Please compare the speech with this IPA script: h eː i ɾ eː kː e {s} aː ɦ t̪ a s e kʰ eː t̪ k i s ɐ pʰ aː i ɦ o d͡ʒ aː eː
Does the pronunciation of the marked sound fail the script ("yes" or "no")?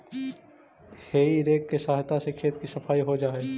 no